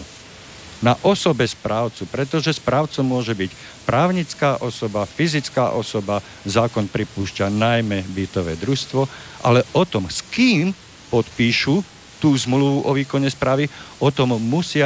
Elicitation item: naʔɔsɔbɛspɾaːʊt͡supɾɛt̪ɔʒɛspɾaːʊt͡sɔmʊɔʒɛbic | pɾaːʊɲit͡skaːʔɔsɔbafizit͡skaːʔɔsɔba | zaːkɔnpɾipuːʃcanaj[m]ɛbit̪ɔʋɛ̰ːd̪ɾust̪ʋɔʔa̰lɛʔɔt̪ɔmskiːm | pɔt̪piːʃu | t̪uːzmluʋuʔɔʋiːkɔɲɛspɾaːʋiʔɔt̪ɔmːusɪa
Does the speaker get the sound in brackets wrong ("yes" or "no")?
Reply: no